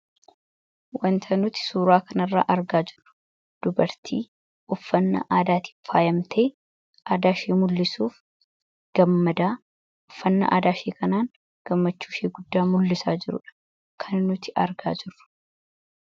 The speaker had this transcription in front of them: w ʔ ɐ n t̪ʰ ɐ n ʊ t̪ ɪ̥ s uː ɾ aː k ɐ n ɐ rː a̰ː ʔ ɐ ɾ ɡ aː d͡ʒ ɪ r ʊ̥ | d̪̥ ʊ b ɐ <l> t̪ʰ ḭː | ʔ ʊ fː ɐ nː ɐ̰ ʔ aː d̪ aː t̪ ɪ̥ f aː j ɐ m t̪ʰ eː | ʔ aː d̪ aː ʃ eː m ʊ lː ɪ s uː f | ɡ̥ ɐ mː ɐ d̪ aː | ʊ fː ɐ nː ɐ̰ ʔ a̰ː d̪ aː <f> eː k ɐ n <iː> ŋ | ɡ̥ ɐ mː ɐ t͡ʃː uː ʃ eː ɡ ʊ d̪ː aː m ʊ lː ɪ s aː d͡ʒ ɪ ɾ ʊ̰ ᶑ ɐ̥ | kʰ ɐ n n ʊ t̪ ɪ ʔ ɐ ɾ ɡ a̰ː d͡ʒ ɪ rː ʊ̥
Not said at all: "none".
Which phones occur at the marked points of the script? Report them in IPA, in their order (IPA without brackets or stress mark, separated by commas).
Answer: ɾ, ʃ, aː